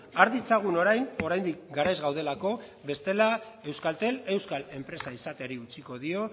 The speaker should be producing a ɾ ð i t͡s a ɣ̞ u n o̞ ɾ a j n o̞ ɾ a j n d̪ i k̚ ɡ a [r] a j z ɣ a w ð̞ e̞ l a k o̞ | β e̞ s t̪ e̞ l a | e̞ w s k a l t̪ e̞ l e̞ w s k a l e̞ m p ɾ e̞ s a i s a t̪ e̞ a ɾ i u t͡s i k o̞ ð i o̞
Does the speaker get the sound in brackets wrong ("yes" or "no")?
yes